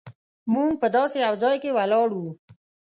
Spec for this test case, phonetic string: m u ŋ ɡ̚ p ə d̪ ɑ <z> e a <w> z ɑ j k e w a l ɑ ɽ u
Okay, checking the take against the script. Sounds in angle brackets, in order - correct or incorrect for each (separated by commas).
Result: incorrect, correct